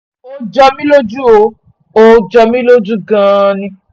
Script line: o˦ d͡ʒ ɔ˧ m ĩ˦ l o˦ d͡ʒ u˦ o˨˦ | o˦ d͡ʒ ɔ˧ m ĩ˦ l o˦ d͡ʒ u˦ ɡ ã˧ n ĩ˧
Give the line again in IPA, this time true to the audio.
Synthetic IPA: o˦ d͡ʒ ɔ˧ m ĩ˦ l o˦ d͡ʒ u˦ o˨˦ | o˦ d͡ʒ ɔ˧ m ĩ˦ l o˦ d͡ʒ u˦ ɡ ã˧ n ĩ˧